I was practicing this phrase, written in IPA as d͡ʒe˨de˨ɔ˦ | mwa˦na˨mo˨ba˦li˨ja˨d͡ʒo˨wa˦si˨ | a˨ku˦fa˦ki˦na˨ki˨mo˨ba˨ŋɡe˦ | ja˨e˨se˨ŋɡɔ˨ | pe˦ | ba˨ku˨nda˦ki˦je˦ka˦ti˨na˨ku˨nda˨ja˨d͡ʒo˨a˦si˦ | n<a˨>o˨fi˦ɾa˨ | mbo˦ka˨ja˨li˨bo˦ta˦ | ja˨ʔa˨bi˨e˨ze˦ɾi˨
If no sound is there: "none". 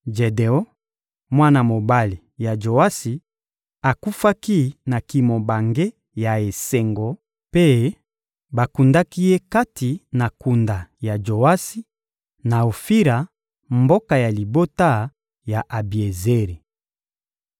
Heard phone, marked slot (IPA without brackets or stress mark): a˨